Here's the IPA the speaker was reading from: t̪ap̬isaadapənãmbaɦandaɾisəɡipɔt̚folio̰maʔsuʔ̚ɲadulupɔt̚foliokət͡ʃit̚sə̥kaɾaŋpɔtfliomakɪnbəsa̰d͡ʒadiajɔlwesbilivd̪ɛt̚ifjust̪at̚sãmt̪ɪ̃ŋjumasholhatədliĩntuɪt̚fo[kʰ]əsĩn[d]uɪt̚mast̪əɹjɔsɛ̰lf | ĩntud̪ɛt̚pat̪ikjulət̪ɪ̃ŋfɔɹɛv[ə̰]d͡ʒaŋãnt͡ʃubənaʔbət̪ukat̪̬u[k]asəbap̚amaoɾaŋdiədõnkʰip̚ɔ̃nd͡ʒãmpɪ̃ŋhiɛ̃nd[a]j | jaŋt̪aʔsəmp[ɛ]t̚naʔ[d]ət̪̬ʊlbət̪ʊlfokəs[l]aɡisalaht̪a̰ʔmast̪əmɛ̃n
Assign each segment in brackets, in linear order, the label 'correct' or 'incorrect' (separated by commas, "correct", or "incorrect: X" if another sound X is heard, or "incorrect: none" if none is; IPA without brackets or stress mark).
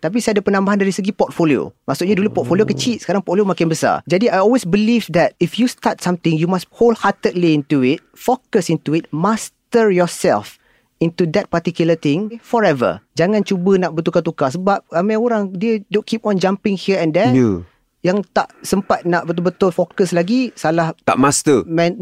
incorrect: k, incorrect: t, correct, correct, incorrect: ɛ, incorrect: a, incorrect: b, correct